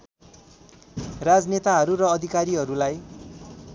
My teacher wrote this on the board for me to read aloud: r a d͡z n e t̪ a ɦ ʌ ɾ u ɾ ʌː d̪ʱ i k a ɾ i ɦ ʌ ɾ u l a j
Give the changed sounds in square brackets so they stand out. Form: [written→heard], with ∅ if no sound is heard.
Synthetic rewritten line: r a d͡z n e t̪ a ɦ ʌ ɾ u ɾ ʌː d̪ʱ i k a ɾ i ɦ ʌ ɾ u l a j